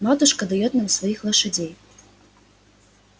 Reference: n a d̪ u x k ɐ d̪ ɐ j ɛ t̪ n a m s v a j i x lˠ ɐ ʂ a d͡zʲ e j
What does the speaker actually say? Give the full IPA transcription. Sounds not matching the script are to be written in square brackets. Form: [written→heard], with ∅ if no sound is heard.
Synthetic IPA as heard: [n→m] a [d̪→t̪] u [x→ʂ] k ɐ d̪ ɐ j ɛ t̪ n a m s v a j i x lˠ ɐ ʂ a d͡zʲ e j